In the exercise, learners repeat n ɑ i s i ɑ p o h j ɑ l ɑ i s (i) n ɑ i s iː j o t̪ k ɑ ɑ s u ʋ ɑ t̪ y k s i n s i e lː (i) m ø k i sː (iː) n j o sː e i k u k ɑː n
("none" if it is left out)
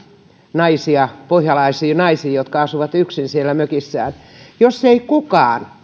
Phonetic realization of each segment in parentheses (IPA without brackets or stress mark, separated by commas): iː, æ, æː